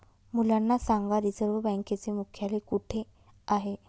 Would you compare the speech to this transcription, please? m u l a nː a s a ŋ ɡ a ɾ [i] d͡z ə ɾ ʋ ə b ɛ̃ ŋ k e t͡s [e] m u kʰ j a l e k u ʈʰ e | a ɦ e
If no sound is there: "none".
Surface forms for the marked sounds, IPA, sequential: i, e

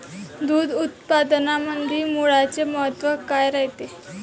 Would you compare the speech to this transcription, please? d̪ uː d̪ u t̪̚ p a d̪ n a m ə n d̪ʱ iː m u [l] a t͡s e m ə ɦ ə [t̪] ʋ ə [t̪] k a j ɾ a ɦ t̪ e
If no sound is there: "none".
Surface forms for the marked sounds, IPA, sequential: ɭ, t̪, none

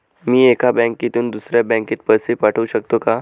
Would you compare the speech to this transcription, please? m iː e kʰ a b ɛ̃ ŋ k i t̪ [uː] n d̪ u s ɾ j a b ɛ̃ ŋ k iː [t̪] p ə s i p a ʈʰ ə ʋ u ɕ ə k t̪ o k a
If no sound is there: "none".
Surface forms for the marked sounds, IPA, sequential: uː, t̪

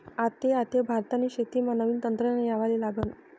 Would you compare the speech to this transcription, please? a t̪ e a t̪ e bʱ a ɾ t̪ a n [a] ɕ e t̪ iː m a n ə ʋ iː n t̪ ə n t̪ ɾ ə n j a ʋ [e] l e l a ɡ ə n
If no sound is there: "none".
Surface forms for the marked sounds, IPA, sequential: i, a

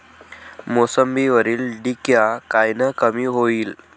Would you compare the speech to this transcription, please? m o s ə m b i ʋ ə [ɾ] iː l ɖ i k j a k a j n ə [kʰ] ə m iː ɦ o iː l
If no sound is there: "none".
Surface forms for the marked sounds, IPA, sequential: ɾ, k

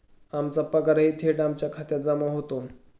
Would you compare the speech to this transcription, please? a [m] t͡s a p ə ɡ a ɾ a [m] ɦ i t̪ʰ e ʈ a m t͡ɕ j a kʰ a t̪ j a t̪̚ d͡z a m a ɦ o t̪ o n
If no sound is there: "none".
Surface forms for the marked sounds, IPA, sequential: m, none

